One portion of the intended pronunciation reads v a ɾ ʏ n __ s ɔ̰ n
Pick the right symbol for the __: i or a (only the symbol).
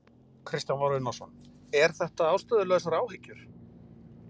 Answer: a